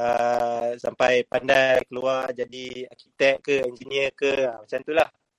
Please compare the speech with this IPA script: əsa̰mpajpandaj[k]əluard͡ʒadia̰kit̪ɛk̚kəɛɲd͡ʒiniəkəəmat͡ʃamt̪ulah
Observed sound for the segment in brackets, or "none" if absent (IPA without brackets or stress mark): k